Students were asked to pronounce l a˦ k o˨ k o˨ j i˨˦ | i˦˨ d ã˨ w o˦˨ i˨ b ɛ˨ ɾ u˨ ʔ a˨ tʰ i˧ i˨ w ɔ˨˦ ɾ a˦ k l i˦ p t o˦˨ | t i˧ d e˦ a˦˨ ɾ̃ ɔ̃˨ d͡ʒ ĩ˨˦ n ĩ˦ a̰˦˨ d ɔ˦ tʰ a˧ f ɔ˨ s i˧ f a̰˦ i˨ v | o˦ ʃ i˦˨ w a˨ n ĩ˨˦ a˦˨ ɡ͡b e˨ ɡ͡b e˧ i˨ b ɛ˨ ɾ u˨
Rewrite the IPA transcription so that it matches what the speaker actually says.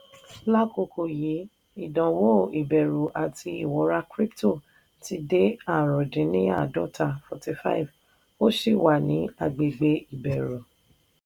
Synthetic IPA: l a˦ k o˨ k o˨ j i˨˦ | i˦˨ d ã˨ w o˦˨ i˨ b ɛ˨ ɾ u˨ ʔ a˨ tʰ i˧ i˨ w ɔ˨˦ ɾ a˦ k ɾ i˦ p t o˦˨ | t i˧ d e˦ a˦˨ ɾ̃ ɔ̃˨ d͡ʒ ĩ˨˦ n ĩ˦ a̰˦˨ d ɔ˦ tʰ a˧ f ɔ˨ t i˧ f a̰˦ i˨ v | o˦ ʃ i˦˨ w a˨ n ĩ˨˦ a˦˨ ɡ͡b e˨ ɡ͡b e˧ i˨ b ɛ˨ ɾ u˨